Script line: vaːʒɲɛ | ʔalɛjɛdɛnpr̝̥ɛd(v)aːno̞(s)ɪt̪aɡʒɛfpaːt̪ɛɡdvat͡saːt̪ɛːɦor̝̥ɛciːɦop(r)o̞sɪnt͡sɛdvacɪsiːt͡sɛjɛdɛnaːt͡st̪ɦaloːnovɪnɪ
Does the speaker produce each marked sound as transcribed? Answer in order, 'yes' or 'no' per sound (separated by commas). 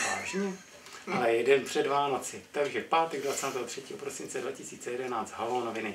yes, no, no